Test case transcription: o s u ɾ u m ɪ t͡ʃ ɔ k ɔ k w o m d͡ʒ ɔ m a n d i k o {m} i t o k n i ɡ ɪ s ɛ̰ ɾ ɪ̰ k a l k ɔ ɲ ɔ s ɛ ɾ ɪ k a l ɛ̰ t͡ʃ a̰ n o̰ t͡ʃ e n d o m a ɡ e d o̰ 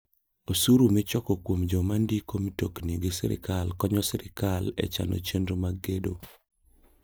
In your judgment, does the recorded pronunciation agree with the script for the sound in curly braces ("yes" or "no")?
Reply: yes